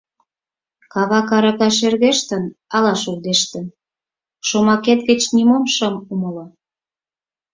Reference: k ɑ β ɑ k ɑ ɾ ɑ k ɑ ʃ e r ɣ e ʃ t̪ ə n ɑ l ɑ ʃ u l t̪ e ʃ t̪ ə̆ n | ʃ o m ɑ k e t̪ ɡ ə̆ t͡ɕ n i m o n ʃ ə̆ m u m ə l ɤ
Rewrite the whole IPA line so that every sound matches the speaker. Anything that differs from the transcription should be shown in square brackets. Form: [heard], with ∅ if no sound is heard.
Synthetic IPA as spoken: k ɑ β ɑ k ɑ ɾ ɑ k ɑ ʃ e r ɣ e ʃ t̪ ə n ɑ l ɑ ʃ u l [d̪] e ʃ t̪ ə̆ n | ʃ o m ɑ k e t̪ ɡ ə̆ t͡ɕ n i m o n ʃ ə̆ m u m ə l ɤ